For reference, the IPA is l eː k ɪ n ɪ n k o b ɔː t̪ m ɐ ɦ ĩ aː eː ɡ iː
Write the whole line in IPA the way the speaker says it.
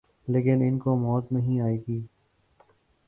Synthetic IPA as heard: l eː k ɪ n ɪ n k o m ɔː t̪ n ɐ ɦ ĩ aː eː ɡ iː